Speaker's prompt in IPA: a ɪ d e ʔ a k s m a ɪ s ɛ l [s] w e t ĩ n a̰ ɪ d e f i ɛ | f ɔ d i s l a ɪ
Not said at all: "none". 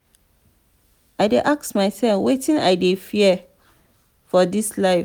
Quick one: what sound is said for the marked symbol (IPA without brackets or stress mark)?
f